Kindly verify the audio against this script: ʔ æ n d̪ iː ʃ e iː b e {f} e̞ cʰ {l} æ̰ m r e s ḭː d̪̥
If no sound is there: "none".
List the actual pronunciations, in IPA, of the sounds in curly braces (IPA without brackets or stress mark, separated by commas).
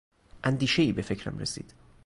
f, ɾ